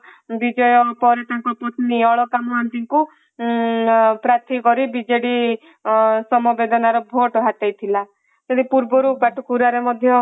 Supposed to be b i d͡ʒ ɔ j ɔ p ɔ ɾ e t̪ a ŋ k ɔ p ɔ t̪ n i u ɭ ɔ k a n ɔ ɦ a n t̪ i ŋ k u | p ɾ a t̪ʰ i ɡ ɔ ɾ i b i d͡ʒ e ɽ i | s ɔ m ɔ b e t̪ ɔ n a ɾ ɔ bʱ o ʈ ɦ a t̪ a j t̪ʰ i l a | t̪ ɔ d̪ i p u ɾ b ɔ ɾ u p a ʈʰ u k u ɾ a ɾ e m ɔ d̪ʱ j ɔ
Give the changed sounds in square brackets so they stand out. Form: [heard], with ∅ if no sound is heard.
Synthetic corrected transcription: b i d͡ʒ ɔ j ɔ p ɔ ɾ e t̪ a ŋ k ɔ p ɔ t̪ n i [ɔ] ɭ ɔ k a [m] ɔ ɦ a n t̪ i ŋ k u | p ɾ a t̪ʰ i [k] ɔ ɾ i b i d͡ʒ e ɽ i | s ɔ m ɔ b e [d̪] ɔ n a ɾ ɔ bʱ o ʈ ɦ a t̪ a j t̪ʰ i l a | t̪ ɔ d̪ i p u ɾ b ɔ ɾ u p a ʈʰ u k u ɾ a ɾ e m ɔ d̪ʱ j ɔ

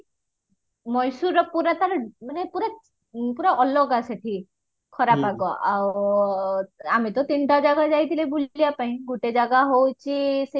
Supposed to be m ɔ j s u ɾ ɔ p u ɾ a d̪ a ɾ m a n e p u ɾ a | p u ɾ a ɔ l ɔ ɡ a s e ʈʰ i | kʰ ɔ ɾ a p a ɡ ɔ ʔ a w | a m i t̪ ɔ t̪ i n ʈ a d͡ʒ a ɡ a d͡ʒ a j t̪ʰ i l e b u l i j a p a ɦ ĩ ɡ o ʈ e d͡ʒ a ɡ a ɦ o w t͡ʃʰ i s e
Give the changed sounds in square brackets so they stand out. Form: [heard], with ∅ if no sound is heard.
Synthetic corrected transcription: m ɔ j s u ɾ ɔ p u ɾ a [t̪] a ɾ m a n e p u ɾ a | p u ɾ a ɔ l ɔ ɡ a s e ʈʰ i | kʰ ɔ ɾ a p a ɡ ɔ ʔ a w | a m i t̪ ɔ t̪ i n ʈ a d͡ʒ a ɡ a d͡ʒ a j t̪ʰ i l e b u l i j a p a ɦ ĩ ɡ [u] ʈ e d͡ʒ a ɡ a ɦ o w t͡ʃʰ i s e

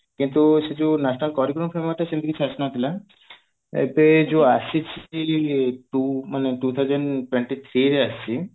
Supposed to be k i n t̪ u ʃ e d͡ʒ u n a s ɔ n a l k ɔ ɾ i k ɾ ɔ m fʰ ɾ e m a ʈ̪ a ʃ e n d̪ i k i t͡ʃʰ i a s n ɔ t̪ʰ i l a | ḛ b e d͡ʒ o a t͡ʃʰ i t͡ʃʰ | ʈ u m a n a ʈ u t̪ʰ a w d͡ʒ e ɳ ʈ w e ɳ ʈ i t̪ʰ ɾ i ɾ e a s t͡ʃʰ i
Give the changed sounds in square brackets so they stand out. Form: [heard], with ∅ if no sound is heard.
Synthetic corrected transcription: k i n t̪ u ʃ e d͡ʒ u n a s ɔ n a l k ɔ ɾ i k ɾ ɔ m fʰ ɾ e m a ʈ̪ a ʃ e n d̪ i k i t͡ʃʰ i a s n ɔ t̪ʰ i l a | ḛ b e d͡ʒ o a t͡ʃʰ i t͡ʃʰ | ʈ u m a n [e] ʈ u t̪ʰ a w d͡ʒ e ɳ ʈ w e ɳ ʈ i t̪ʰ ɾ i ɾ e a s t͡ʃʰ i

